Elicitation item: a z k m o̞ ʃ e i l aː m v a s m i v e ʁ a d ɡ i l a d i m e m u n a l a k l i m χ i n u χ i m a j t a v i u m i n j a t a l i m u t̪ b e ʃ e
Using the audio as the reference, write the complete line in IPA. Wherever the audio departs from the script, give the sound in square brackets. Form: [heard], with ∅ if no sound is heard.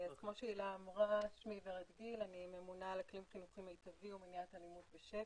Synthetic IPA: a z k m o̞ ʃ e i l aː m [ʁ] a [ʃ] m i v e ʁ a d ɡ i l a [n] i m e m u n a l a k l i m χ i n u χ i m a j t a v i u m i n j a t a l i m u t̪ b e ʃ e

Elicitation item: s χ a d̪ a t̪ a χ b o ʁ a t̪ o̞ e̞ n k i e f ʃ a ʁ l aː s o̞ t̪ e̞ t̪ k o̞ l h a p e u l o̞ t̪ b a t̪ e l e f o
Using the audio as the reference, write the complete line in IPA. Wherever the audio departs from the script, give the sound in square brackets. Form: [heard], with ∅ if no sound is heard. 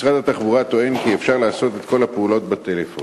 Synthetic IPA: s [ʁ] a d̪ a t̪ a χ b [u] ʁ a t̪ o̞ e̞ n k i e f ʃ a ʁ l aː s o̞ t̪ e̞ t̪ k o̞ l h a p e u l o̞ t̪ b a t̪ e l e f o

